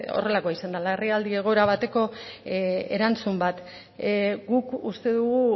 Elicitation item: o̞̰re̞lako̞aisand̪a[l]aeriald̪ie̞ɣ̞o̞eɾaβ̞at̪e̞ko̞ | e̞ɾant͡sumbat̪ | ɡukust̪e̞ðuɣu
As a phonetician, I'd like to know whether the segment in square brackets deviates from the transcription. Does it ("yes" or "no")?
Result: no